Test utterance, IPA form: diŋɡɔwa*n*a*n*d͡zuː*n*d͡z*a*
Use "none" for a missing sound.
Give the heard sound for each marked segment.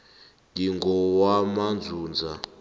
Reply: m, n, n, a

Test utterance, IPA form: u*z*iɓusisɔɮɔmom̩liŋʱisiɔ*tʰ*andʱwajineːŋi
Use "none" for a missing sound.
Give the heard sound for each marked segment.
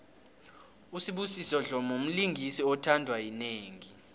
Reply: s, tʰ

